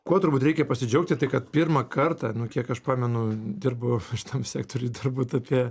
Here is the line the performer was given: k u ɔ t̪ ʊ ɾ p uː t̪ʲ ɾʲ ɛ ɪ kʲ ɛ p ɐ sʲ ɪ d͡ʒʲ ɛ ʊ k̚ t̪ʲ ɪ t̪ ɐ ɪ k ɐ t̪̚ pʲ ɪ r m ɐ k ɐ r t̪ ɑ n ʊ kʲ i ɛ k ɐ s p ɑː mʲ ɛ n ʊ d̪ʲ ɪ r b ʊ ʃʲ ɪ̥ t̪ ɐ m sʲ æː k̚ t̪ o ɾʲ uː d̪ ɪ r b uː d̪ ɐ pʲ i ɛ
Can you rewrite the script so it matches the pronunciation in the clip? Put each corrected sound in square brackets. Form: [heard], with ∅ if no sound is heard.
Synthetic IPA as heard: k u ɔ t̪ ʊ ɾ [b] uː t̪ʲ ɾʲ ɛ ɪ kʲ ɛ p ɐ sʲ ɪ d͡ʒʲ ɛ ʊ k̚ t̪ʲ ɪ t̪ ɐ ɪ k ɐ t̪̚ pʲ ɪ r m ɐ k ɐ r t̪ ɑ n ʊ kʲ i ɛ k ɐ [ʃ] p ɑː mʲ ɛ n ʊ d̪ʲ ɪ r b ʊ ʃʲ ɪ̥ t̪ ɐ m sʲ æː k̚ t̪ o ɾʲ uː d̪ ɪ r b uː [t̪] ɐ pʲ i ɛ